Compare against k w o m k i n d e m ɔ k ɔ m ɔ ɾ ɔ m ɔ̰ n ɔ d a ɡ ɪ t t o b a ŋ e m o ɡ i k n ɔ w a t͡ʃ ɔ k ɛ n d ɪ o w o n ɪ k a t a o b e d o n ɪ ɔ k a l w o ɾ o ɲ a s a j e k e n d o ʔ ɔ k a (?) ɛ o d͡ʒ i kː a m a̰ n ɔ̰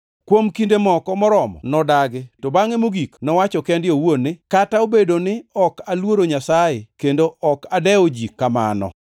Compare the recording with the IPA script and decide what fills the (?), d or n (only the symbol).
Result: d